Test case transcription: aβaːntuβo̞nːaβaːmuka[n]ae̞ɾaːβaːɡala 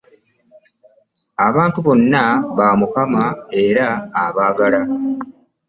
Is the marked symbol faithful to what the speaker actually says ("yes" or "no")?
no